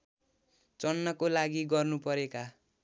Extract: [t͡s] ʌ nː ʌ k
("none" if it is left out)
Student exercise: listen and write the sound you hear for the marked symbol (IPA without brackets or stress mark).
t͡s